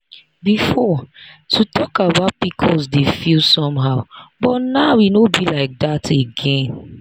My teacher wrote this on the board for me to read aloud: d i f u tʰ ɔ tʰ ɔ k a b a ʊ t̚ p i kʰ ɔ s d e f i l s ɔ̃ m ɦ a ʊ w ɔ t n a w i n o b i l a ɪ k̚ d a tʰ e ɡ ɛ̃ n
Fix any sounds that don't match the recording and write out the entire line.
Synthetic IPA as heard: b i f ɔ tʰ u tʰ ɔ k a b a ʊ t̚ p i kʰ ɔ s d e f i l s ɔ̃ m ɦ a ʊ b ɔ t n a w i n o b i l a ɪ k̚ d a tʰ e ɡ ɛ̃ n